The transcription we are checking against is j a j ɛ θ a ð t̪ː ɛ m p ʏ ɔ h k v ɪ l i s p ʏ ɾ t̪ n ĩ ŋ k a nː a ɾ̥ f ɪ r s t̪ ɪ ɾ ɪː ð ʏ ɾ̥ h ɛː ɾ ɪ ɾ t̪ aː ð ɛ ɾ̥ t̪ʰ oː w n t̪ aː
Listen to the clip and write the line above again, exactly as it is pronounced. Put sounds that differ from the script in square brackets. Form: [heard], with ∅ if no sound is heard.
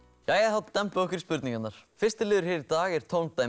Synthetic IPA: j a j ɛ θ a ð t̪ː ɛ m p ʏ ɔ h k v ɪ [ɾ] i s p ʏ ɾ t̪ n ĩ ŋ k a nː a ɾ̥ f ɪ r s t̪ ɪ [l] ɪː ð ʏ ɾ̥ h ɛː ɾ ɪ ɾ t̪ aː [ɣ] ɛ ɾ̥ t̪ʰ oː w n t̪ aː

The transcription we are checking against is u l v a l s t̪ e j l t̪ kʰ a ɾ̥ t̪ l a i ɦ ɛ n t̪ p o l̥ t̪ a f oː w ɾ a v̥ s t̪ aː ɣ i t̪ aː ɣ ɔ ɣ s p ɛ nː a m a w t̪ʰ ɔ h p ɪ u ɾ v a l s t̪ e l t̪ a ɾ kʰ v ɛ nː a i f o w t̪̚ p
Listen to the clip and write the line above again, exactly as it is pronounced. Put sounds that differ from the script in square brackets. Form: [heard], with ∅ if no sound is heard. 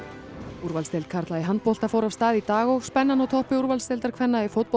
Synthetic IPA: u [ɾ] v a l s t̪ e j l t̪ kʰ a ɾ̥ t̪ l a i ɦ [a] n t̪ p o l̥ t̪ a f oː w ɾ a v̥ s t̪ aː [ð] i t̪ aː ɣ ɔ ɣ s p ɛ nː a [n] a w t̪ʰ ɔ h p ɪ u ɾ v a l s t̪ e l t̪ a ɾ kʰ v ɛ nː a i f o w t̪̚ p

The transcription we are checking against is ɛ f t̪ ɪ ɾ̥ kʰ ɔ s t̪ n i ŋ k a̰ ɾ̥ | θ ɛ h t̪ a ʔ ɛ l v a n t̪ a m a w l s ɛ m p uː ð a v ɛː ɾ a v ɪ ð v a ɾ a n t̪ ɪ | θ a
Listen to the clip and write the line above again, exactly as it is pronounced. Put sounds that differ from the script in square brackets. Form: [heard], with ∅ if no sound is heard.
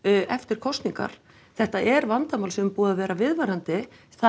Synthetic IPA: ɛ f t̪ ɪ ɾ̥ kʰ ɔ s t̪ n i ŋ k a̰ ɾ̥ | θ ɛ h t̪ a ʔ ɛ [ɾ] v a n t̪ a m a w l s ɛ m p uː ð a v ɛː ɾ a v ɪ ð v a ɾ a n t̪ ɪ | θ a

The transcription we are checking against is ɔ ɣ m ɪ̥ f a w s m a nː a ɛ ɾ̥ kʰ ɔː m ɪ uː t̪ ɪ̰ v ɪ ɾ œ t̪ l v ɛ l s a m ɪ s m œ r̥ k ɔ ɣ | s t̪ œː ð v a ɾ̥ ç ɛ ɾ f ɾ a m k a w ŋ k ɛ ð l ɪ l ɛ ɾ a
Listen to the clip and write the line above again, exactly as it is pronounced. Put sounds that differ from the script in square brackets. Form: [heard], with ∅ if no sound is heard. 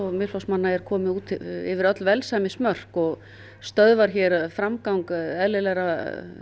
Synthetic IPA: ɔ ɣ m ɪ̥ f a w s m a nː a ɛ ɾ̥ kʰ ɔː m ɪ uː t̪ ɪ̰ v ɪ ɾ œ t̪ l v ɛ l s a m ɪ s m œ r̥ k ɔ ɣ | s t̪ [œ] ð v a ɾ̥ ç ɛ ɾ f ɾ a m k a w ŋ k ɛ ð l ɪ l ɛ ɾ a

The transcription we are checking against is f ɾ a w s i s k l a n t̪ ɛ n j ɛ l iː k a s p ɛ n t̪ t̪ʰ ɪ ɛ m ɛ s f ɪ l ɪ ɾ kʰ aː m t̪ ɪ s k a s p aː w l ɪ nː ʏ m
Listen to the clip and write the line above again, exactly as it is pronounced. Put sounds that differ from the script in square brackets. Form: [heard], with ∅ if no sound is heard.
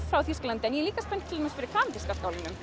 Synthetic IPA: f ɾ a w [θ] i s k l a n t̪ ɛ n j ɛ l iː k a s p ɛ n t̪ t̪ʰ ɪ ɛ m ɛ s f ɪ [ɾ] ɪ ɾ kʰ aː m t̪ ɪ s k a s [k] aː w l ɪ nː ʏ m

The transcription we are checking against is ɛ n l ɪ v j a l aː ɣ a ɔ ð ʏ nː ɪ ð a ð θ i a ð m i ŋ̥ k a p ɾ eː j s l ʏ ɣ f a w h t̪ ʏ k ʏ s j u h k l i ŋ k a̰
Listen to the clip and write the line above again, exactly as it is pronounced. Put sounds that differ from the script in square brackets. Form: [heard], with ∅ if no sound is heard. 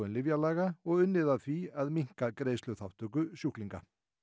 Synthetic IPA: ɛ n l ɪ v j a l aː ɣ a ɔ [ɣ] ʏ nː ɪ ð a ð θ i a ð m i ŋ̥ k a [k] ɾ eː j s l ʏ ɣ [θ] a w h t̪ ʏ k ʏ s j u h k l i ŋ k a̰

